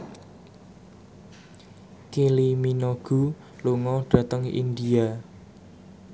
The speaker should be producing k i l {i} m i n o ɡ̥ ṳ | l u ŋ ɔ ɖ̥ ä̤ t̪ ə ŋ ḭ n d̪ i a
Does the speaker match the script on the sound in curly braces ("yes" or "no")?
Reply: yes